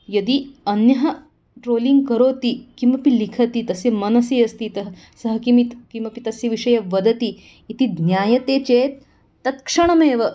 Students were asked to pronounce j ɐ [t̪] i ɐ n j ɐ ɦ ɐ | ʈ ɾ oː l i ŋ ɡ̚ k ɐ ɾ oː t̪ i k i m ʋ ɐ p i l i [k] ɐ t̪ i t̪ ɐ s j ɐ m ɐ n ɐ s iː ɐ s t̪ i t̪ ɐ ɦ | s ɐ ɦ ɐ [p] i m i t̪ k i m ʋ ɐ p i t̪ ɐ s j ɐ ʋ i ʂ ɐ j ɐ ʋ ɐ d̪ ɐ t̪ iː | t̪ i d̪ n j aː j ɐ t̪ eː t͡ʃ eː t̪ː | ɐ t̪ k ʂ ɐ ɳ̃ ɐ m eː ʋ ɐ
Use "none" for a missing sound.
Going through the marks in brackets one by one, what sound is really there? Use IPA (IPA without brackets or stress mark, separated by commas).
d̪, kʰ, k